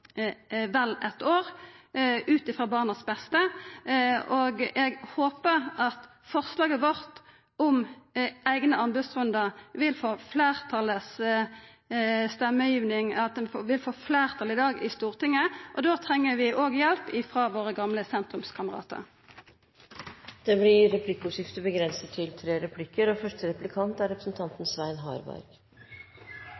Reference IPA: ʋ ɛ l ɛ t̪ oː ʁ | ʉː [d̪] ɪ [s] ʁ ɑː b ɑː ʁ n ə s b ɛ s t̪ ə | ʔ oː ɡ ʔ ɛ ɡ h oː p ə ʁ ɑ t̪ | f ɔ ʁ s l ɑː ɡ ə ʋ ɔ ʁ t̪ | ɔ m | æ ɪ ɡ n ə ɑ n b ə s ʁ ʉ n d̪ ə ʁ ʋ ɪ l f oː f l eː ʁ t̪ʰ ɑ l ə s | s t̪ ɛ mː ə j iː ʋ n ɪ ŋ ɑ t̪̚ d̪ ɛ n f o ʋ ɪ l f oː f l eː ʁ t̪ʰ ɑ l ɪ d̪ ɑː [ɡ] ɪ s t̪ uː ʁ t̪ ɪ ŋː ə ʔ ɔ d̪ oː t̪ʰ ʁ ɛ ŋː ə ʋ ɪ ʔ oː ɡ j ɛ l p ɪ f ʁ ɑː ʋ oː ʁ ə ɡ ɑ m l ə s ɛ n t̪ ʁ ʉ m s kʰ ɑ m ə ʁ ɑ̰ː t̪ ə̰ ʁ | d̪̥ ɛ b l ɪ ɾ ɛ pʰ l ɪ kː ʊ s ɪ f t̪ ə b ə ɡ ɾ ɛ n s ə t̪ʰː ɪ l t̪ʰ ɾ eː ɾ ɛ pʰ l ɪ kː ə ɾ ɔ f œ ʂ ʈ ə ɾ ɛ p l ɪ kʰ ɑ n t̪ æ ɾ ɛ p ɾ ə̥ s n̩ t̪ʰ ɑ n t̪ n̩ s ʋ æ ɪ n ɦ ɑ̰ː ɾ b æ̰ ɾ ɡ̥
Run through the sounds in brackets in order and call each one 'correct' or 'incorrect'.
incorrect, incorrect, correct

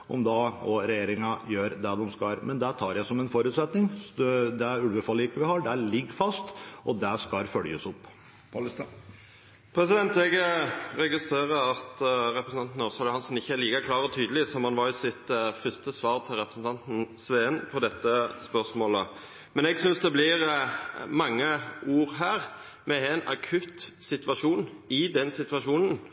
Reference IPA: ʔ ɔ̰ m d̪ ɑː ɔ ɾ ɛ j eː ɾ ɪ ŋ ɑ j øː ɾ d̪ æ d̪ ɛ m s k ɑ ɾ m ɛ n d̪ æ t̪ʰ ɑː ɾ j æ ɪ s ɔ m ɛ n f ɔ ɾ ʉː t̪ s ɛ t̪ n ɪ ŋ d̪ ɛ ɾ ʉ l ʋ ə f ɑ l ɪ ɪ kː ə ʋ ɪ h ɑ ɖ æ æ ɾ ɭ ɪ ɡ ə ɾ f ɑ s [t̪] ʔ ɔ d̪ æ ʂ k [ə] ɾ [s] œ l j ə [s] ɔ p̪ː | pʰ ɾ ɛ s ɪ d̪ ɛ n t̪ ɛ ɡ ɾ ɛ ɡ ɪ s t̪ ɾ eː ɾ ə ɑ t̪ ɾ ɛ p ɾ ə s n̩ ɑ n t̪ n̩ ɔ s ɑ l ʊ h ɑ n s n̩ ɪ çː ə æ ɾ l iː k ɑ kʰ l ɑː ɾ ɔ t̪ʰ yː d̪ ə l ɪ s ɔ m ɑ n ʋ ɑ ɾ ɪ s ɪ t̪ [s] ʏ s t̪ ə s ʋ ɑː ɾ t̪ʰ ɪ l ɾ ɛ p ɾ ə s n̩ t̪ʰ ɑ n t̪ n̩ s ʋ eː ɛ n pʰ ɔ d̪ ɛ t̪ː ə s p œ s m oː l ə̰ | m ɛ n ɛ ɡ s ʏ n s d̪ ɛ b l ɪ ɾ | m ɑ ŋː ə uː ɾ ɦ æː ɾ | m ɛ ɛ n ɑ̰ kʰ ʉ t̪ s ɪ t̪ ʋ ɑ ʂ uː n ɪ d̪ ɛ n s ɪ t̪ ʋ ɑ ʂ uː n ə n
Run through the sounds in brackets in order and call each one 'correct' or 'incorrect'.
correct, incorrect, incorrect, correct, incorrect

